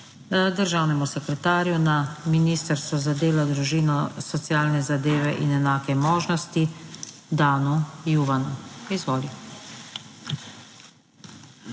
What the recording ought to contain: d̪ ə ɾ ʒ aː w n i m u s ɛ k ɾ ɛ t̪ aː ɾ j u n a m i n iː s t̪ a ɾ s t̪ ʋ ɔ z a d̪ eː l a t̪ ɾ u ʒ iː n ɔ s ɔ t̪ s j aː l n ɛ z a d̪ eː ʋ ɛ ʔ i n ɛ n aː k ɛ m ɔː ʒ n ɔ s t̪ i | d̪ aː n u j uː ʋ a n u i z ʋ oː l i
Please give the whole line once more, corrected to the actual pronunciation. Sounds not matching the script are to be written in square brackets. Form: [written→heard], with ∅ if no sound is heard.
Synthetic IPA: d̪ ə ɾ ʒ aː w n [i→ɛ] m u s ɛ k ɾ ɛ t̪ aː ɾ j u n a m i n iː s t̪ [a→ə] ɾ s t̪ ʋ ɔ z a d̪ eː l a [t̪→d̪] ɾ u ʒ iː n ɔ s ɔ t̪ s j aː l n ɛ z a d̪ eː ʋ ɛ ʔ i n ɛ n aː k ɛ m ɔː ʒ n ɔ s t̪ i | d̪ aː n u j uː ʋ a n u i z ʋ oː l i